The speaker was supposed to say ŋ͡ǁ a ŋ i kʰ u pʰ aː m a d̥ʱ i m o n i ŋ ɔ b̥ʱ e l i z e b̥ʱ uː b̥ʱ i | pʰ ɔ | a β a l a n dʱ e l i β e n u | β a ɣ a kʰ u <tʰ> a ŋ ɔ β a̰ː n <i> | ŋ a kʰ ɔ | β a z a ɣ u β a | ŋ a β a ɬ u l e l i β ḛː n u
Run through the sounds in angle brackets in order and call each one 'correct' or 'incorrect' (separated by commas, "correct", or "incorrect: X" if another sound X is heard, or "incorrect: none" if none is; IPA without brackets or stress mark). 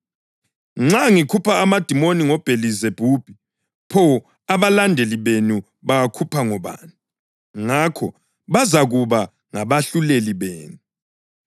incorrect: pʰ, correct